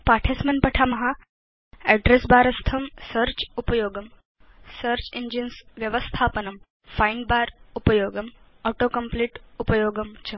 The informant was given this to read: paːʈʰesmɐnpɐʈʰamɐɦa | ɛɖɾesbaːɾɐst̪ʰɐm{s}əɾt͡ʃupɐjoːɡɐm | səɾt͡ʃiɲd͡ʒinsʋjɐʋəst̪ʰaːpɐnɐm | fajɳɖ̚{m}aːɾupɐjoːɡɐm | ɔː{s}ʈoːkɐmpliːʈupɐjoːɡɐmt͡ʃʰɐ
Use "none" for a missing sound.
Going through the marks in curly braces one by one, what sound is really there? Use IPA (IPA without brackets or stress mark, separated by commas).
s, b, none